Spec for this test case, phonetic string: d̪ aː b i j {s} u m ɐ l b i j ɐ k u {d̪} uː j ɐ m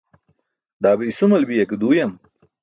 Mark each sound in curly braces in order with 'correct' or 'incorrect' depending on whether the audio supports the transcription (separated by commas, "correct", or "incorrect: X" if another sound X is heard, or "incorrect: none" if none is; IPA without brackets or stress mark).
correct, correct